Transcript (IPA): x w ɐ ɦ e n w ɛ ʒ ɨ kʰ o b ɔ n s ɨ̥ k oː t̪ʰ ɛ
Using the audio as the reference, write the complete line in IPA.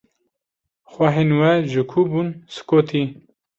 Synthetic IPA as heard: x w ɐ ɦ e n w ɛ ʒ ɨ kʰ u b u n s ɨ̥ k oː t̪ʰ i